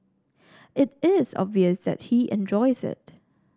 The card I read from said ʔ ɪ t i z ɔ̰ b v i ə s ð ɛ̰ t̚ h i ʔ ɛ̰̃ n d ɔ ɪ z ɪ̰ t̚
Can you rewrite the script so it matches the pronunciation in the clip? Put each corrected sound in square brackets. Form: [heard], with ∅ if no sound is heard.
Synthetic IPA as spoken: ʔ ɪ t [ɪ] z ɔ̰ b v i ə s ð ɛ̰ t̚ h i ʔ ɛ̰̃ n [d͡ʒ] ɔ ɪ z ɪ̰ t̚